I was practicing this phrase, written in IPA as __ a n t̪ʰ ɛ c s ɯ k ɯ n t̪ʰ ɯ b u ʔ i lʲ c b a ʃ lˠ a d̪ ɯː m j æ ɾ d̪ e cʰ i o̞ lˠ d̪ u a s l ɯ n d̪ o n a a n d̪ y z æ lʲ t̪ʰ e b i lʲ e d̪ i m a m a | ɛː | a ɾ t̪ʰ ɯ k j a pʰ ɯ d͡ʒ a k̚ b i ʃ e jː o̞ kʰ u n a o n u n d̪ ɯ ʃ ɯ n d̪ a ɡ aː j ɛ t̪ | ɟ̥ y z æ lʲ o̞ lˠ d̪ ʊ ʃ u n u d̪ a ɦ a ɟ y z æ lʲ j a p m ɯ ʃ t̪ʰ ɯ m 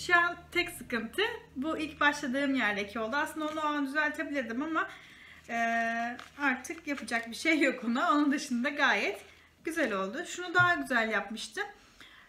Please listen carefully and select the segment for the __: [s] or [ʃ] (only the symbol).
ʃ